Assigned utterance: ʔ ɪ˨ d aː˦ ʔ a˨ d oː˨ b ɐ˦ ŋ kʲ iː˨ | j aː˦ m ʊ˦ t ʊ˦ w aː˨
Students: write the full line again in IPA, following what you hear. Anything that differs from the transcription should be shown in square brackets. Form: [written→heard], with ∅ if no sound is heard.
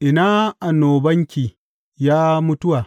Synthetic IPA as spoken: ʔ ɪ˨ [d→n] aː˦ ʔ a˨ [d→n] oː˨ b ɐ˦ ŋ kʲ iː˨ | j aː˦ m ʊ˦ t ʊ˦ w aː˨

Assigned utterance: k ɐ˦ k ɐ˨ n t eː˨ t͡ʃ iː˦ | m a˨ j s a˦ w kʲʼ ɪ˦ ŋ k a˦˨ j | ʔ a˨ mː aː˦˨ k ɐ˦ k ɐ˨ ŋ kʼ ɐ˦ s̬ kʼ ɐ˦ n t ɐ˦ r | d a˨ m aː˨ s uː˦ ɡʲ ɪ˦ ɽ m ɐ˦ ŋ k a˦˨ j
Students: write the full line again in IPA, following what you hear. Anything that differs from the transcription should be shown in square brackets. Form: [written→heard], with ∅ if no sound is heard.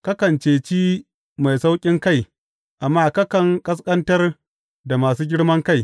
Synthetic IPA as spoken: k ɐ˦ k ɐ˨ n [t→t͡ʃ] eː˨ t͡ʃ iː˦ | m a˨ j s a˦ w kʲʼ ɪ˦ ŋ k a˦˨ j | ʔ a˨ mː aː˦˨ k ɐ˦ k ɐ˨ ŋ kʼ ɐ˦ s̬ kʼ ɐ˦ n t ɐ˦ r | d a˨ m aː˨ s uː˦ ɡʲ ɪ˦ ɽ m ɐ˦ ŋ k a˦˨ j

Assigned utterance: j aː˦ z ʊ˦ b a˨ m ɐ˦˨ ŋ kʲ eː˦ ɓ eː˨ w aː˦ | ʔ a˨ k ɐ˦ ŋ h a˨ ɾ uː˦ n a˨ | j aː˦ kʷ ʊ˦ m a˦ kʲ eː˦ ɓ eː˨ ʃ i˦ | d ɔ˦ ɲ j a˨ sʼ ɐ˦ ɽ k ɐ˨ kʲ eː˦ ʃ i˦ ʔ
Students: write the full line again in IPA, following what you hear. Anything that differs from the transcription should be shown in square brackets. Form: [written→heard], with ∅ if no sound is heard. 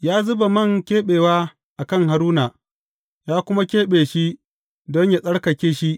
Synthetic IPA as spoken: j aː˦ z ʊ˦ b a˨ m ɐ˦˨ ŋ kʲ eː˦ ɓ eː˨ w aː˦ | ʔ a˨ k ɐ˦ ŋ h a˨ ɾ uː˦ n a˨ | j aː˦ kʷ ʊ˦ m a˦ kʲ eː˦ ɓ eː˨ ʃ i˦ | d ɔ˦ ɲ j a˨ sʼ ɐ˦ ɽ k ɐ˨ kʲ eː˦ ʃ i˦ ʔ

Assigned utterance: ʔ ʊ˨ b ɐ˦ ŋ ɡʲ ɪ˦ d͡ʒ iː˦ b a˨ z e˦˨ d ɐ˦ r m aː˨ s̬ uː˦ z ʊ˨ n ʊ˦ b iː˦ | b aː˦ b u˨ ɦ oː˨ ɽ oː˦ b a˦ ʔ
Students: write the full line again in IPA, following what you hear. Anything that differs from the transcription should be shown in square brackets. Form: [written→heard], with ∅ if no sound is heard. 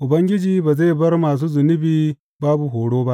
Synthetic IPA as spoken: ʔ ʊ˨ b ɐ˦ ŋ ɡʲ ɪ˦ d͡ʒ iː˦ b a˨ z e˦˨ [d→b] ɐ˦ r m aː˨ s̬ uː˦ z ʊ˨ n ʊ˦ b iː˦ | b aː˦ b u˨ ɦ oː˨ ɽ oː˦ b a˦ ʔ

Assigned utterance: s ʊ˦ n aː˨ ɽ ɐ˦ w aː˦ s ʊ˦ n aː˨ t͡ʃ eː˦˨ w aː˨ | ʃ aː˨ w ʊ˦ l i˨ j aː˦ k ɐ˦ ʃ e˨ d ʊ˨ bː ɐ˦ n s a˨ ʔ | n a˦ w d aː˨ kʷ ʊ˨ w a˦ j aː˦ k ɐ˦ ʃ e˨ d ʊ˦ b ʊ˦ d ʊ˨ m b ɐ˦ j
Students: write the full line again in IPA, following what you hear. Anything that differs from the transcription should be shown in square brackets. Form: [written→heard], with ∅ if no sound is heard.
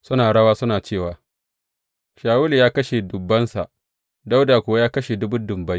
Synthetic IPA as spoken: s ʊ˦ n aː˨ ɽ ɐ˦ w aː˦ s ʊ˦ n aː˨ t͡ʃ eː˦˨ w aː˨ | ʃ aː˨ w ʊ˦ l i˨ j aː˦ k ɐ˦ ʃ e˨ d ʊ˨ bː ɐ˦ n s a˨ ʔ | [n→d] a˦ w d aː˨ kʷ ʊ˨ w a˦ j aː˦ k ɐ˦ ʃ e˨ d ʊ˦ b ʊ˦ d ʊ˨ m b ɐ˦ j

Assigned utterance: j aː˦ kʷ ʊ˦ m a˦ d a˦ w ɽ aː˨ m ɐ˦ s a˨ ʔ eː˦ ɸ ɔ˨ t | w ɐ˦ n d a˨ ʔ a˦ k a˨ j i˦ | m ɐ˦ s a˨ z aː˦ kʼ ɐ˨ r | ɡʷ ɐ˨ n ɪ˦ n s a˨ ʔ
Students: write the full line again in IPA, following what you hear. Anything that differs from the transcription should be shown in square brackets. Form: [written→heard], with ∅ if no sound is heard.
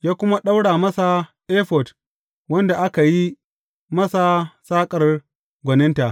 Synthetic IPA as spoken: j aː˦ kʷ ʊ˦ m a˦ [d→ɗ] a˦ w ɽ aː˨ m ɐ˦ s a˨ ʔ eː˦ ɸ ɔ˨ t | w ɐ˦ n d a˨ ʔ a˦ k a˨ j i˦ | m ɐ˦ s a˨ [z→s] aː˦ kʼ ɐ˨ r | ɡʷ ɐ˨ n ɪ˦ n [s→t] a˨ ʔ

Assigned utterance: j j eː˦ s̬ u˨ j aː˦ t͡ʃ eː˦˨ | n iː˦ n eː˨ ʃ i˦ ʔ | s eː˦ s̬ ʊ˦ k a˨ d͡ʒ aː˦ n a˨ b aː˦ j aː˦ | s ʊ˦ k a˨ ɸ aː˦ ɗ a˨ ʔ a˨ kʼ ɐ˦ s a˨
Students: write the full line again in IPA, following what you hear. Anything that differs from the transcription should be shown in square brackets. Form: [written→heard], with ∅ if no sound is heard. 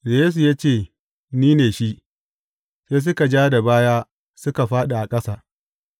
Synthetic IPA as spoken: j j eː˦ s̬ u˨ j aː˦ t͡ʃ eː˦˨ | n iː˦ n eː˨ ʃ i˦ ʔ | s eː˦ s̬ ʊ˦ k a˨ d͡ʒ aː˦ [n→d] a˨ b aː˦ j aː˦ | s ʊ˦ k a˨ ɸ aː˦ ɗ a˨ ʔ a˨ kʼ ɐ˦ s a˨

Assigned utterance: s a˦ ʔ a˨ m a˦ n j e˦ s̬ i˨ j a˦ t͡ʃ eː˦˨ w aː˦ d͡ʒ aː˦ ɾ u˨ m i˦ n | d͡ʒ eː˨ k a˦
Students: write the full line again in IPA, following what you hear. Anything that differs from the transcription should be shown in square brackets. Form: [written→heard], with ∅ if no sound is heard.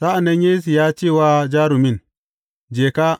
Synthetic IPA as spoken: s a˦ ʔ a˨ [m→n] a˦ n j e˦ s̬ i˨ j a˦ t͡ʃ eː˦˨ w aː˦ d͡ʒ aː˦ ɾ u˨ m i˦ n | d͡ʒ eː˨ k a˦

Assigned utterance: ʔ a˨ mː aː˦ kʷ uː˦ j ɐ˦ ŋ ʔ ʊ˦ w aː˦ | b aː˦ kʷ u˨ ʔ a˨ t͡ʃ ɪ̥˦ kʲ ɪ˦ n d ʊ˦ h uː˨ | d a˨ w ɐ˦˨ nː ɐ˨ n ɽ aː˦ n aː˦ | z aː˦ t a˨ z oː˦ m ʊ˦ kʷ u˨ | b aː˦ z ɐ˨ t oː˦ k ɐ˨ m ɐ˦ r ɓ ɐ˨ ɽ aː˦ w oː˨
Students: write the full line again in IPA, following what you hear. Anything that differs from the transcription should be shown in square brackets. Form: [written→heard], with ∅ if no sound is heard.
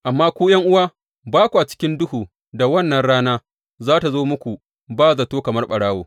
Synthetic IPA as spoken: ʔ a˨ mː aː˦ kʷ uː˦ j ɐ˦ ŋ ʔ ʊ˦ w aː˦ | b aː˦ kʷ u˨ ʔ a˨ t͡ʃ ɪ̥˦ kʲ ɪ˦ n d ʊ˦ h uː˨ | d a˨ w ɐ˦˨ nː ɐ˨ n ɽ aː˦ n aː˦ | z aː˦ t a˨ z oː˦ m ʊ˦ kʷ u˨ | b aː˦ z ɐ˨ t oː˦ k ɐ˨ m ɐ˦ r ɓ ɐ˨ ɽ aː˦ w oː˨

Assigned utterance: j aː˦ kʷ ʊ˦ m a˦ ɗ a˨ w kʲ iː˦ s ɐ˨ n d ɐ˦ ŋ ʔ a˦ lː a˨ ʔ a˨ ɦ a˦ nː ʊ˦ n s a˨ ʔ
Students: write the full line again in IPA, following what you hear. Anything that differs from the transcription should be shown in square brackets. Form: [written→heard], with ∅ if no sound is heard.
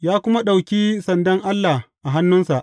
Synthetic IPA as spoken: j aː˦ kʷ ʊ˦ m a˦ ɗ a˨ w kʲ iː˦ s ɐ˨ n d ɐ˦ ŋ ʔ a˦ lː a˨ ʔ a˨ ɦ a˦ nː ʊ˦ n s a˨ ʔ

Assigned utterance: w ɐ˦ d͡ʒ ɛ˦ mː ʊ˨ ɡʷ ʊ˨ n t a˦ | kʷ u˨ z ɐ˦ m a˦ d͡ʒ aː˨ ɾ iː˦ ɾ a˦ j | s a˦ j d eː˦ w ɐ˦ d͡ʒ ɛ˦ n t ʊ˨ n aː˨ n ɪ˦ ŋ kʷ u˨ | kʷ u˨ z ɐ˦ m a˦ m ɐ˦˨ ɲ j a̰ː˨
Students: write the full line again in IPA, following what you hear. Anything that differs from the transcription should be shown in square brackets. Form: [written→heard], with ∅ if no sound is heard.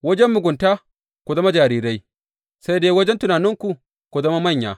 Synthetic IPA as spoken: w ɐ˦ d͡ʒ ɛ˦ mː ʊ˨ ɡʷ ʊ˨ n t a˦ | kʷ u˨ z ɐ˦ m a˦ d͡ʒ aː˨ ɾ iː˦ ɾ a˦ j | s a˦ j d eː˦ w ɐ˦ d͡ʒ ɛ˦ n t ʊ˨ n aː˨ n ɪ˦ ŋ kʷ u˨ | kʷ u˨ z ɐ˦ m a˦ m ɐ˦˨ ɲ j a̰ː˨

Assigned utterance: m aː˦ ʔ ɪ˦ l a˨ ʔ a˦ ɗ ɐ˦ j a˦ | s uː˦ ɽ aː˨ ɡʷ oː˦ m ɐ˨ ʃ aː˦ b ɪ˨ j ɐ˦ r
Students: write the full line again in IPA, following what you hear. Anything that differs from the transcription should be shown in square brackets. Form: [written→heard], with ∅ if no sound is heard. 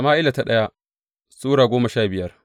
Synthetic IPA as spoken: m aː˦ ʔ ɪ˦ l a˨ [ʔ→t] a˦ ɗ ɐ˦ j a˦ | s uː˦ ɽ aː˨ ɡʷ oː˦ m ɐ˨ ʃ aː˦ b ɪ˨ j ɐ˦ r

